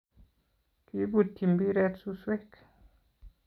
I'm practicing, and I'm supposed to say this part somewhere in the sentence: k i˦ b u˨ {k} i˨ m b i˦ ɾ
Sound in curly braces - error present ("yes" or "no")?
yes